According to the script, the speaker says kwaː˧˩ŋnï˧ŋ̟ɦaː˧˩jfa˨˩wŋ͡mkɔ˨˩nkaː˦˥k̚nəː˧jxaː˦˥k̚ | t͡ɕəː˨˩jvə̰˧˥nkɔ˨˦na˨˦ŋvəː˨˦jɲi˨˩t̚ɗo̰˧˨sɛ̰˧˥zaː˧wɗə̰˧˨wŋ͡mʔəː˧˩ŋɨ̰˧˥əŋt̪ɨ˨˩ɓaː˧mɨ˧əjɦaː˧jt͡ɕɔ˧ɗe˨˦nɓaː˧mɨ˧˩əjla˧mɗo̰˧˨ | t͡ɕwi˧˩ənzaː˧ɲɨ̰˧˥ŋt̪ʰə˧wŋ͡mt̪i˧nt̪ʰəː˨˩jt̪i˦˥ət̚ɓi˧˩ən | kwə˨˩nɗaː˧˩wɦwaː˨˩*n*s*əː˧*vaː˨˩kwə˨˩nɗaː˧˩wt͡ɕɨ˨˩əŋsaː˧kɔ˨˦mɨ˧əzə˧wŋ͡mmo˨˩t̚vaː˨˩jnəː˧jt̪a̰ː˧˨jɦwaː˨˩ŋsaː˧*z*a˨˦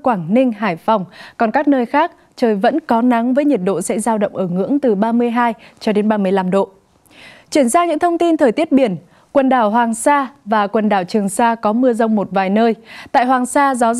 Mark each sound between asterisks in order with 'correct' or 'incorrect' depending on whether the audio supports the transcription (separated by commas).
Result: incorrect, incorrect, correct